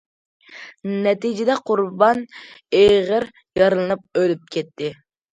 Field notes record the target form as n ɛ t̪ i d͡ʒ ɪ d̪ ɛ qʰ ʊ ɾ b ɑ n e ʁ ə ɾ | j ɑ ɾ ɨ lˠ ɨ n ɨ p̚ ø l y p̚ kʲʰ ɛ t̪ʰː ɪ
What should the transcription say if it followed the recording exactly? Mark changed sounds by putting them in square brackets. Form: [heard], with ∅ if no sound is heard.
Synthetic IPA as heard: n ɛ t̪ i d͡ʒ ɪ d̪ ɛ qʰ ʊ ɾ b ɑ n e ʁ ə ɾ | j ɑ ɾ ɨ lˠ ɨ n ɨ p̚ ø l y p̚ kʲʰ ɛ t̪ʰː ɪ